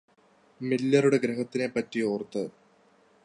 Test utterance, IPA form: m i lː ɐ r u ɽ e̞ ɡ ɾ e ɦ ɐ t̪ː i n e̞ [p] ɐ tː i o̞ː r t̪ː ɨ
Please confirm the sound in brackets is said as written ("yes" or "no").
yes